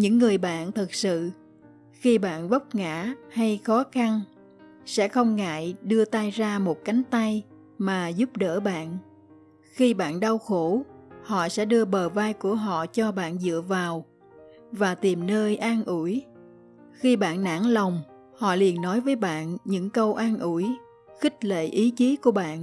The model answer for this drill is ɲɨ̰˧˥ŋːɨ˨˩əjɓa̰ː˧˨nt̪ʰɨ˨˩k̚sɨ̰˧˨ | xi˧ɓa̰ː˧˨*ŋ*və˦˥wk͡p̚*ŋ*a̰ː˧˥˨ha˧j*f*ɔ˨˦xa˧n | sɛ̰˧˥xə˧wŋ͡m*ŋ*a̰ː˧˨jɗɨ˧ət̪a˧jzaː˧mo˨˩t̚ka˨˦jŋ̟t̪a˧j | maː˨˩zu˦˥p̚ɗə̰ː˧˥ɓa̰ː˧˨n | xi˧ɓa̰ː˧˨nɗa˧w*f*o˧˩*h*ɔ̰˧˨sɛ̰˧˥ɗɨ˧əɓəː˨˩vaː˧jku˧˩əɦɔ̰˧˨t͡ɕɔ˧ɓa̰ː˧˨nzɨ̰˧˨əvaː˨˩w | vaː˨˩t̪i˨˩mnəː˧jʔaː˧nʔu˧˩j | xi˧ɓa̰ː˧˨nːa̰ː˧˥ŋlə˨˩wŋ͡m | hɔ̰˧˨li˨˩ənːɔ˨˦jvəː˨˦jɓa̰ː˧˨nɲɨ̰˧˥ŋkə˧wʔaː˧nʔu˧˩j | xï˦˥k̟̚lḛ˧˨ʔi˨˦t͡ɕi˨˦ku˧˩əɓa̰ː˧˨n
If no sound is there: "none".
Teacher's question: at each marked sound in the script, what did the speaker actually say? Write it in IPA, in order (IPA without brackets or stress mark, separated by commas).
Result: n, ŋ, x, ŋ, x, h